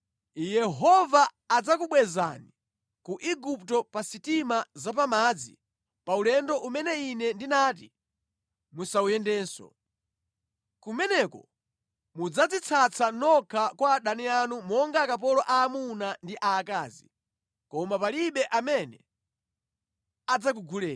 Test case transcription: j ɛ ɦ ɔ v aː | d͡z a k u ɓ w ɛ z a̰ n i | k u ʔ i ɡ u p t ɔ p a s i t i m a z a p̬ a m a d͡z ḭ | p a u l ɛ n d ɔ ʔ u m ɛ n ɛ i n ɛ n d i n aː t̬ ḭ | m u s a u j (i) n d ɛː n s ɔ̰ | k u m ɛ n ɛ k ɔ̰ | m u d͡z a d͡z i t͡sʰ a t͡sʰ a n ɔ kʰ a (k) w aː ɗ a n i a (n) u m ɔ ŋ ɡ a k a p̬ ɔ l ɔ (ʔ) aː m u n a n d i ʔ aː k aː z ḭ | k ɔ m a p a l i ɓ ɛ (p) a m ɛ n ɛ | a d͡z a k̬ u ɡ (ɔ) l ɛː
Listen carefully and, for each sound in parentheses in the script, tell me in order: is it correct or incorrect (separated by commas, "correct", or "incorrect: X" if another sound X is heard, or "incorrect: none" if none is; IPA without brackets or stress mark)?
incorrect: ɛ, correct, correct, correct, incorrect: ʔ, incorrect: u